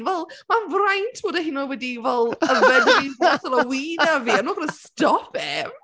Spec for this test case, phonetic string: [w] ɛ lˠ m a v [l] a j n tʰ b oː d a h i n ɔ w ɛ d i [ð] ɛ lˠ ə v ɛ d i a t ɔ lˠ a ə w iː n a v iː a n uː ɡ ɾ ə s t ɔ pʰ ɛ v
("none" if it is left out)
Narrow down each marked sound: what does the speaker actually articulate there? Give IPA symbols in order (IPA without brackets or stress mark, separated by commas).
v, r, v